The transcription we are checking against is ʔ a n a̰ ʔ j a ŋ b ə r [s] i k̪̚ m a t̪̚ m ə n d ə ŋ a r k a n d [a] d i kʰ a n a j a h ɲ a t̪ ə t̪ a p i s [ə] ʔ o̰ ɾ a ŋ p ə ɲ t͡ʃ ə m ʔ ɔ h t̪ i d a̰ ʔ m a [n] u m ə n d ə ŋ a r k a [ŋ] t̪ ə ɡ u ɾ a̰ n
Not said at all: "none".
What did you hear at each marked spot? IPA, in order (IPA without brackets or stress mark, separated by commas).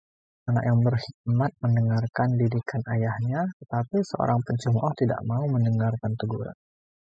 h, i, ə, none, n